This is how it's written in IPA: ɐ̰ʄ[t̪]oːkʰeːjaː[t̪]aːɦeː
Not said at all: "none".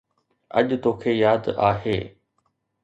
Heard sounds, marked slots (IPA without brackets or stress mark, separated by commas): t̪, d̪